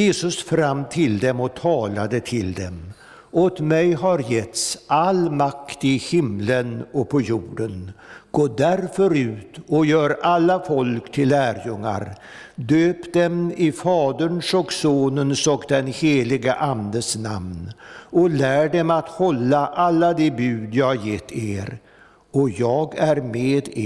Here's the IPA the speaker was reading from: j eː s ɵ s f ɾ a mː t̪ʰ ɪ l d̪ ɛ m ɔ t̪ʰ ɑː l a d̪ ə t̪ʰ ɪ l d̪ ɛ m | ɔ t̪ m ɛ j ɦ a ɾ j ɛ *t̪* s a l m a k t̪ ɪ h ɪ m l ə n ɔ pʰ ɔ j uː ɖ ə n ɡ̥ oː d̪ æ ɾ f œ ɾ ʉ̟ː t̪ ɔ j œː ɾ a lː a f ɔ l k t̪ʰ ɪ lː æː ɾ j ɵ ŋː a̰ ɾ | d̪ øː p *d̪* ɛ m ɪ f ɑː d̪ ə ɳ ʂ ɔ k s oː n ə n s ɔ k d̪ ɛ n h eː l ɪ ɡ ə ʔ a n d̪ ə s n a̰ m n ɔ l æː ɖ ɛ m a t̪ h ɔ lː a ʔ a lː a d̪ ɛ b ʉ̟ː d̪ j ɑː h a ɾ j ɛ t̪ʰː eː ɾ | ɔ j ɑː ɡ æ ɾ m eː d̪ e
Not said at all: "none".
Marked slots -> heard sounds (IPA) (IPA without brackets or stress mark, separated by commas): t̪, d̪